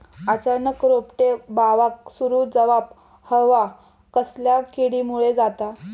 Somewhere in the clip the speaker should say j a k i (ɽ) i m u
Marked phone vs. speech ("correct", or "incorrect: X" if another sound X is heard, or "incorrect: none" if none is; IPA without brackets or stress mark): correct